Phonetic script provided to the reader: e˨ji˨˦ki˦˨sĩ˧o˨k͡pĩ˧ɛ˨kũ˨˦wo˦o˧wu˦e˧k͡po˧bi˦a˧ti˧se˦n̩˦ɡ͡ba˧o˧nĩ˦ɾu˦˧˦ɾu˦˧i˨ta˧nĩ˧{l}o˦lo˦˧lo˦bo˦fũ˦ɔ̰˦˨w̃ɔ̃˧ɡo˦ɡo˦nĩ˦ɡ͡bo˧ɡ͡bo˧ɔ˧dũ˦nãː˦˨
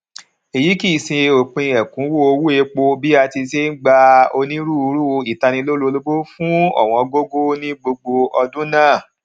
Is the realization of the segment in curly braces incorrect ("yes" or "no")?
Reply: no